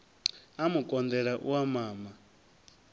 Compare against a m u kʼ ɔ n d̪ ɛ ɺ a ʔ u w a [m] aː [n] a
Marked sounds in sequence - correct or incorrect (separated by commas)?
correct, incorrect